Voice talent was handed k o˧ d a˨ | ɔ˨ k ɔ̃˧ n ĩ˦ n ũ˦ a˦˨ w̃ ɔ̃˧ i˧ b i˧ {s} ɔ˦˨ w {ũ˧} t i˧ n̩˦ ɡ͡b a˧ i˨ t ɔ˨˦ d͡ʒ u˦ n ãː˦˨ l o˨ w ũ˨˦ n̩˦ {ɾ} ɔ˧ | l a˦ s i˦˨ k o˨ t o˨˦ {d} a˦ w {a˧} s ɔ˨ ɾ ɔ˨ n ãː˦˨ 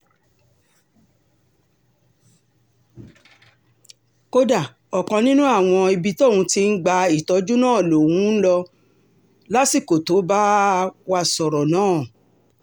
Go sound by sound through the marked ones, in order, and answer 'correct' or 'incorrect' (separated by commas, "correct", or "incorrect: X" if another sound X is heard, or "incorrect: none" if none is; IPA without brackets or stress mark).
incorrect: t, correct, incorrect: l, incorrect: b, correct